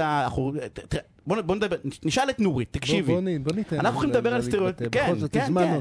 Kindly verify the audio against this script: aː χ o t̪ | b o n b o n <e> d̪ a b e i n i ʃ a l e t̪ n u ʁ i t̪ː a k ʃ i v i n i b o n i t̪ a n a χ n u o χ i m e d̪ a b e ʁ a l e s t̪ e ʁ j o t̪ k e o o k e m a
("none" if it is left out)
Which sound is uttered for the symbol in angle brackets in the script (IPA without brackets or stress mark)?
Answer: e